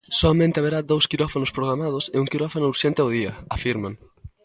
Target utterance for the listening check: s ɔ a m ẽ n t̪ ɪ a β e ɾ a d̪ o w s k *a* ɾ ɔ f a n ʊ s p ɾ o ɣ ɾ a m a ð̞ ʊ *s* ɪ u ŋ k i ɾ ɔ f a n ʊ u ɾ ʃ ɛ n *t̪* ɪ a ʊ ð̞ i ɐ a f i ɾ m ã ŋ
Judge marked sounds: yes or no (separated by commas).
no, yes, yes